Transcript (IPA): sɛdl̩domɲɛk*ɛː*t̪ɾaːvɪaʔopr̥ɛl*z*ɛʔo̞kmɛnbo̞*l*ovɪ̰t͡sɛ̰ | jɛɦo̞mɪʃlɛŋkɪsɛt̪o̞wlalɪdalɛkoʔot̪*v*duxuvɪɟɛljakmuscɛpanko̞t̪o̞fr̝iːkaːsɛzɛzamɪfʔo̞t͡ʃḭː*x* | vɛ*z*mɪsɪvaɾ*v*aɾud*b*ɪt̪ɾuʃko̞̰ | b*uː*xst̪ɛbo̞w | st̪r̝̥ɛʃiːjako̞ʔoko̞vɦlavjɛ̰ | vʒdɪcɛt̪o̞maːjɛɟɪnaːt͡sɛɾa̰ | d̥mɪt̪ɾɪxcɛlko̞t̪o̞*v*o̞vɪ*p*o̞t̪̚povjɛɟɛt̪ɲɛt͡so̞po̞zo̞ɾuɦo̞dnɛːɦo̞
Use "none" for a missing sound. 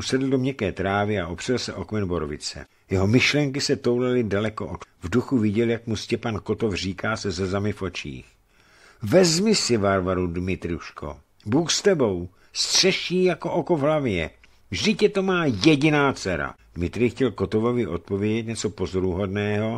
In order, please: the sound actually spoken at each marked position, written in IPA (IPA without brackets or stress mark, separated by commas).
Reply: ɛː, s, ɾ, v, x, z, v, m, uː, v, ʔ